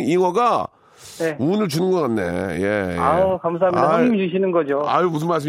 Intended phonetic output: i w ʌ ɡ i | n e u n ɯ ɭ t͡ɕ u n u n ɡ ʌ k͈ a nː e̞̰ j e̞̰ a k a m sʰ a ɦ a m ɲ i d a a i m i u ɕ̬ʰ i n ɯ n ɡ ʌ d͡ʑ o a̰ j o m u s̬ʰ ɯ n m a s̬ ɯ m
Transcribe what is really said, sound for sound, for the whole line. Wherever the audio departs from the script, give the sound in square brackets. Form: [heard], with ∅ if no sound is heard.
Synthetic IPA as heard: i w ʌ ɡ [a] | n e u n ɯ ɭ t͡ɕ u n [ɯ] n ɡ ʌ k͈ a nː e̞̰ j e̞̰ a k a m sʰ a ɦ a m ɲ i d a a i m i u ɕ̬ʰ i n ɯ n ɡ ʌ d͡ʑ o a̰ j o m u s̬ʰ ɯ n m a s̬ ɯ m